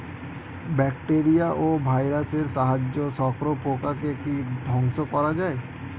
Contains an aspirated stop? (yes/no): no